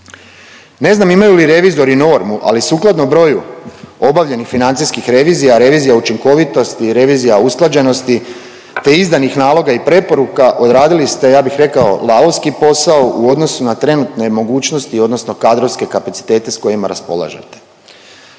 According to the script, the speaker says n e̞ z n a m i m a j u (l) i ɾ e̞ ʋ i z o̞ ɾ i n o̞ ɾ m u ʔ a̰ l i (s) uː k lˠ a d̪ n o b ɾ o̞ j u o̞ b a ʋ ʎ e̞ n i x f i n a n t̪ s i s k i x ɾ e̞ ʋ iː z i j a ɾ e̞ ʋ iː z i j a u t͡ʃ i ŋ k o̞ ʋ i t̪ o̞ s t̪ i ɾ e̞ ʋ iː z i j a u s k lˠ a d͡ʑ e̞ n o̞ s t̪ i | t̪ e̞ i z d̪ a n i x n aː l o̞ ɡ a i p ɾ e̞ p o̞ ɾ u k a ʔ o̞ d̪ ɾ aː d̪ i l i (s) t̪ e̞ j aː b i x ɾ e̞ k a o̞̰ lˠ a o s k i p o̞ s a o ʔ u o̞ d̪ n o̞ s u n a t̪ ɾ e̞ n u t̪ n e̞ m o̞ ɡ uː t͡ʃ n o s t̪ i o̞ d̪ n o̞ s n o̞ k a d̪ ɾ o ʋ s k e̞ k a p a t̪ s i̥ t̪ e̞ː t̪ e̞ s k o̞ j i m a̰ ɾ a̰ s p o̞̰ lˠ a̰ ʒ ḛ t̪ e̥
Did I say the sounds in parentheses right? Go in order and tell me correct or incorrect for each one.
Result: correct, correct, correct

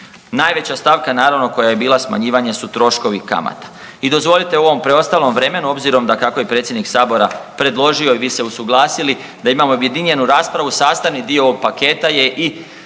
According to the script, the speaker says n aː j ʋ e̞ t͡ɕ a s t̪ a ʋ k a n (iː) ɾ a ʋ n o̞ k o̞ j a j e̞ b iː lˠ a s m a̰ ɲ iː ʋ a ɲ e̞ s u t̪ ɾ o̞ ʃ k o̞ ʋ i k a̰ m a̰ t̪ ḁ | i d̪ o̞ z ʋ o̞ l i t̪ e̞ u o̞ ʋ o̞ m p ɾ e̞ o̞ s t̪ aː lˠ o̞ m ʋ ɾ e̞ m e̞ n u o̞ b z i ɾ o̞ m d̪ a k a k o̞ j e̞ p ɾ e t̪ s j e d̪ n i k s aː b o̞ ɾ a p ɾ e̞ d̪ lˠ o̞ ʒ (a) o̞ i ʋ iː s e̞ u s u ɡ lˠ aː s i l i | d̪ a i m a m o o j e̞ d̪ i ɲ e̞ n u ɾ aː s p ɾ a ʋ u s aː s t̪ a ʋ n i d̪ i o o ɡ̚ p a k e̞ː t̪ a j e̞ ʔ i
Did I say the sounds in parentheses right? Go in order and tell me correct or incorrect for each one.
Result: incorrect: aː, incorrect: i

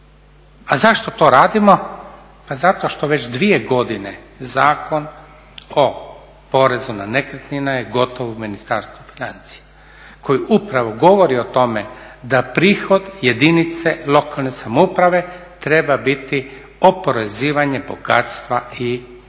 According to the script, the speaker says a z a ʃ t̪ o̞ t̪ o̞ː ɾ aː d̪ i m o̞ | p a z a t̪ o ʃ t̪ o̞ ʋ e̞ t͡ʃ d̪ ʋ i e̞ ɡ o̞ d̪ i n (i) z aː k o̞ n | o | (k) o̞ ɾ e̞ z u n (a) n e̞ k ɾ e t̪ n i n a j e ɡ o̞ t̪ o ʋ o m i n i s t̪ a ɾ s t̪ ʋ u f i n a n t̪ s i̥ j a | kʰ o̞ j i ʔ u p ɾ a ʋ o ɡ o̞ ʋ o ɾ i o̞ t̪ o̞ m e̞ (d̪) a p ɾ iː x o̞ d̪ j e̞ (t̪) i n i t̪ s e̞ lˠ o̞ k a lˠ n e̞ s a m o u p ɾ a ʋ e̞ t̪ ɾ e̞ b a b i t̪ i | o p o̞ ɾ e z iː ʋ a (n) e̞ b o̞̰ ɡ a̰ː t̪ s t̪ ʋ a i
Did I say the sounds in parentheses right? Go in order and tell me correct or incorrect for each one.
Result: incorrect: e, incorrect: p, correct, correct, incorrect: d̪, incorrect: ɲ

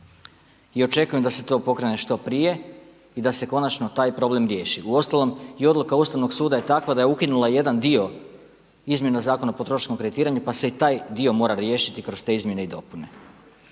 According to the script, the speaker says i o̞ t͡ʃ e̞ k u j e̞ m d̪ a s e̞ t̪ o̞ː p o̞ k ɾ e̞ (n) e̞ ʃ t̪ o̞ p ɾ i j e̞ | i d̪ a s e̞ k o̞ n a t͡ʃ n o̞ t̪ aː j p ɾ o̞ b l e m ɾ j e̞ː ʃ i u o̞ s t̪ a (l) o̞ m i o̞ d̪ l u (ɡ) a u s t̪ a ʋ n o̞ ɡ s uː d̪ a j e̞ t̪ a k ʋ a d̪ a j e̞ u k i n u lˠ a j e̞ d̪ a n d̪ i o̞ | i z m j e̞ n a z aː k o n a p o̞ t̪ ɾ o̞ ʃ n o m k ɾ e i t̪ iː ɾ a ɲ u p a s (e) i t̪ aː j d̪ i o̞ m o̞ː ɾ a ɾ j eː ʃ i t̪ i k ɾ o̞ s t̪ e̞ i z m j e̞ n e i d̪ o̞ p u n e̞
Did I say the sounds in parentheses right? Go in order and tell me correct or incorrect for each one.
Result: correct, correct, incorrect: k, correct

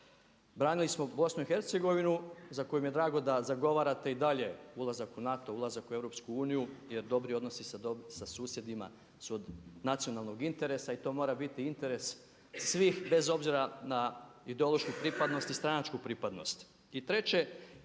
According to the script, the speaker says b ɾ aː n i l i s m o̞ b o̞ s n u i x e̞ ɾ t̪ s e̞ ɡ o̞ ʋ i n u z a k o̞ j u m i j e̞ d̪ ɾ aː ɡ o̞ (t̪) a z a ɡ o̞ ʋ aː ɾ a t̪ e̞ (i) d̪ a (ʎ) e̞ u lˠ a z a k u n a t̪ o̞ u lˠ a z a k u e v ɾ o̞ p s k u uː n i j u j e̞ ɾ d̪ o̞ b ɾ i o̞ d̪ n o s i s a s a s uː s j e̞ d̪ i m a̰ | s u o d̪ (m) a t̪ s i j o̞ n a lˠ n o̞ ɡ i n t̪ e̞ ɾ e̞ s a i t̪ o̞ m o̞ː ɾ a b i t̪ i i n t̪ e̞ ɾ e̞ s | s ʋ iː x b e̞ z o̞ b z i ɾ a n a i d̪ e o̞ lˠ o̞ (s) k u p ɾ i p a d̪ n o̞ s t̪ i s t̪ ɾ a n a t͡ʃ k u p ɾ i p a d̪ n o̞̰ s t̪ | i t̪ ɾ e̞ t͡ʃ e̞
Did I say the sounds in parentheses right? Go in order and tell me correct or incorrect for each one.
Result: incorrect: d̪, correct, correct, incorrect: n, incorrect: ʃ

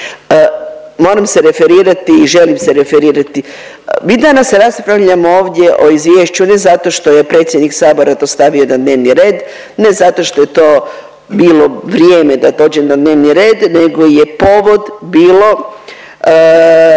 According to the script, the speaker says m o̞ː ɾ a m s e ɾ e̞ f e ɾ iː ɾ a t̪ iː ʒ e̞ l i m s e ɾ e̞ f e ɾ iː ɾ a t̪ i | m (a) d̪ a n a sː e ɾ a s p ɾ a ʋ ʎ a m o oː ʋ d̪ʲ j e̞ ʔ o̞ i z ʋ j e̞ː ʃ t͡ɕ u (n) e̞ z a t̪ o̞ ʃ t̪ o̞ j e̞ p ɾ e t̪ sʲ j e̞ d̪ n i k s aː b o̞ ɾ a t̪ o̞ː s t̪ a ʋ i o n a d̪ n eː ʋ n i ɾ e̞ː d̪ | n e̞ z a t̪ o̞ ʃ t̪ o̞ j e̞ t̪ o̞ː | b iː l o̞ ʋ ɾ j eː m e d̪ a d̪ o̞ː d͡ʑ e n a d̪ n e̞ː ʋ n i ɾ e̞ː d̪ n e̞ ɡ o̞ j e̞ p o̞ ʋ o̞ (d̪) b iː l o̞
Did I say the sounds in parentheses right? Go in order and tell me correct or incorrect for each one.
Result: incorrect: i, correct, correct

